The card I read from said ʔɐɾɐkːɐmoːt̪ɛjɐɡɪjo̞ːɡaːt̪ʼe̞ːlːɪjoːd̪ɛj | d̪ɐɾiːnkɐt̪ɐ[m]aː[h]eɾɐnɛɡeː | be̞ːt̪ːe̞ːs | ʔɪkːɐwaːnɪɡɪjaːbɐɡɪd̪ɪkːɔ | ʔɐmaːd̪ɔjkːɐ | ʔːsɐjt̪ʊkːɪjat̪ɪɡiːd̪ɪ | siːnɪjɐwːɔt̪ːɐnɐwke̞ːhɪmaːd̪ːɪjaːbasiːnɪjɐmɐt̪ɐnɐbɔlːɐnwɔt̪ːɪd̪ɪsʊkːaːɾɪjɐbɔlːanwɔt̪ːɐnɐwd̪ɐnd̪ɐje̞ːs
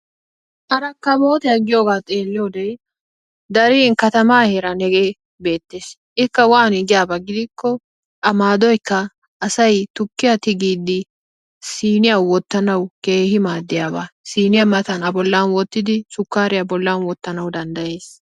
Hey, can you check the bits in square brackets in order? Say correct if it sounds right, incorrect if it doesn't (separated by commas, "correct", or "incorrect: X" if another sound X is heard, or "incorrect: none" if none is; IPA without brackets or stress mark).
correct, correct